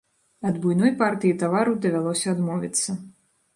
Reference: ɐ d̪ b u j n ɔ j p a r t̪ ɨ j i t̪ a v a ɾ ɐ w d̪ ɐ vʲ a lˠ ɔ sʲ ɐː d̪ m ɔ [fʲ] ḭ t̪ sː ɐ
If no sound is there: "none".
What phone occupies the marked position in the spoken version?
vʲ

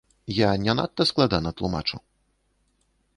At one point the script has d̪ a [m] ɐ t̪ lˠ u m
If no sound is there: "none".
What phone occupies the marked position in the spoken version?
n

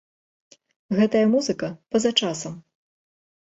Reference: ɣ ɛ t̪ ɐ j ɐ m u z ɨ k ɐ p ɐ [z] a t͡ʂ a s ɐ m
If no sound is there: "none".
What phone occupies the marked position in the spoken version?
z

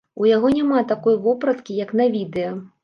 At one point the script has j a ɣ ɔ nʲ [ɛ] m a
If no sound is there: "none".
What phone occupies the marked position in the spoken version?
a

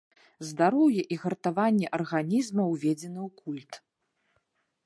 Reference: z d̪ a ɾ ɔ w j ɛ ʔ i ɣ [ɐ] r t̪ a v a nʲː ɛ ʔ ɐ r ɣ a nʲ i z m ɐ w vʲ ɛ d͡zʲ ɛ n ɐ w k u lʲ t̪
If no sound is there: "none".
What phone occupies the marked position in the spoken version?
ɐ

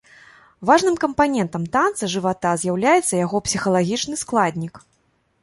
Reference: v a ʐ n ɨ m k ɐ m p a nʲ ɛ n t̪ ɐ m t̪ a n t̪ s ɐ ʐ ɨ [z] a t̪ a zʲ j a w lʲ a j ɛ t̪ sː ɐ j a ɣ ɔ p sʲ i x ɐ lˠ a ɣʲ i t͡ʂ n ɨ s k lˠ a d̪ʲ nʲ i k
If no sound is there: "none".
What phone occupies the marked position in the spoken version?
v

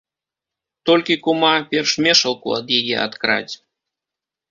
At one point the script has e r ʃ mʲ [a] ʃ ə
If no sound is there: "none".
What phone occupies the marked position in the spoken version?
e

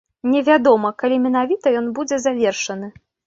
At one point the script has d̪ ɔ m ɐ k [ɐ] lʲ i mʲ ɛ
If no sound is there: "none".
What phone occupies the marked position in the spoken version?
a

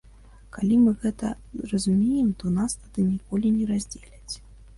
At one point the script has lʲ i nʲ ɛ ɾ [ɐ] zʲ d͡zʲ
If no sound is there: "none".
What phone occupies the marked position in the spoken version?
a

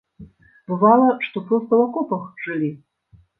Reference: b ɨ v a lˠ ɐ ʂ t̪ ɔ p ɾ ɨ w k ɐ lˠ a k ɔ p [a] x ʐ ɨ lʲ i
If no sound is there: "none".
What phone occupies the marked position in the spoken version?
ɐ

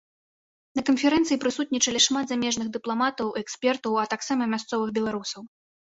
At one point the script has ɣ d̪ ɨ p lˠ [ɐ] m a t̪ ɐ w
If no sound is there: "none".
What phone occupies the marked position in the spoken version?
a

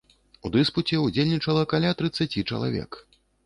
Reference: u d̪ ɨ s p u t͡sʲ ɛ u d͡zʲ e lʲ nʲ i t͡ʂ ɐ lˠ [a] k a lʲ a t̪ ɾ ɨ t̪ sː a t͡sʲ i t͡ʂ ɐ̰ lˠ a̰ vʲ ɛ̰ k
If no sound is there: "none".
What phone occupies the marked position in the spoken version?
ɐ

